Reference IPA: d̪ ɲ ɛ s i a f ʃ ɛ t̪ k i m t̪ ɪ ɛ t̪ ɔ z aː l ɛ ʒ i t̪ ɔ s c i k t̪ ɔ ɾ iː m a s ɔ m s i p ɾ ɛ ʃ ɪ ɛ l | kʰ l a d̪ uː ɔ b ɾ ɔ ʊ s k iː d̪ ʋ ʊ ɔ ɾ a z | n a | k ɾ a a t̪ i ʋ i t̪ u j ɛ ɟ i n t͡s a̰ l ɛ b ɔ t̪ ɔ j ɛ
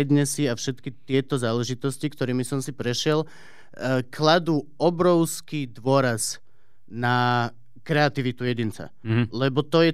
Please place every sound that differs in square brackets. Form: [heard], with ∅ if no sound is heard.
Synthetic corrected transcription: d̪ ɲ ɛ s i a f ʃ ɛ t̪ k i [∅] t̪ ɪ ɛ t̪ ɔ z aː l ɛ ʒ i t̪ ɔ s c i k t̪ ɔ ɾ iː m [i] s ɔ m s i p ɾ ɛ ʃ ɪ ɛ l | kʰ l a d̪ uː ɔ b ɾ ɔ ʊ s k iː d̪ ʋ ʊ ɔ ɾ a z | n a | k ɾ [ɛ] a t̪ i ʋ i t̪ u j ɛ ɟ i n t͡s a̰ l ɛ b ɔ t̪ ɔ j ɛ